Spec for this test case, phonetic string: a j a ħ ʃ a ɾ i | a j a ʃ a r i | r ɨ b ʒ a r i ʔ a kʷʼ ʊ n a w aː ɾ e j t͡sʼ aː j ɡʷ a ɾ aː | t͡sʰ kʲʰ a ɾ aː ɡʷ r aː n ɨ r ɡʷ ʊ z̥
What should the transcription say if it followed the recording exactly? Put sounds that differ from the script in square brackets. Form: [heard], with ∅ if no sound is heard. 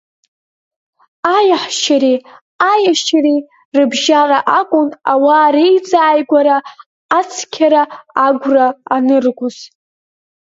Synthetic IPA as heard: a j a ħ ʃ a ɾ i | a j a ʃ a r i | r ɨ b ʒ a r [a] ʔ a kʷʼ ʊ n a w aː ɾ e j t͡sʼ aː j ɡʷ a ɾ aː | t͡sʰ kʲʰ a ɾ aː ɡʷ r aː n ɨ r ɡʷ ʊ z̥